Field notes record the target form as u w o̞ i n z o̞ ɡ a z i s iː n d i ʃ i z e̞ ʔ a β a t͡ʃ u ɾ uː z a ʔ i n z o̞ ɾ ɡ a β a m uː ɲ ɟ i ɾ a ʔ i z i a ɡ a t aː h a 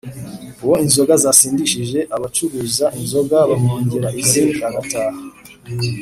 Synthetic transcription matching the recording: u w o̞ i n z o̞ ɡ a z a s iː n d i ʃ i ʒ e̞ ʔ a β a t͡ʃ u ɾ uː z a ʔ i n z o̞ ɡ a β a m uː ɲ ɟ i ɾ a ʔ i z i a ɡ a t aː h a